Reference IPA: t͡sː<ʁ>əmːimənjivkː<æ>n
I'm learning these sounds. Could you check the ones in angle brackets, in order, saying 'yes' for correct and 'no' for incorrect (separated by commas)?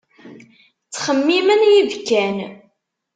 no, yes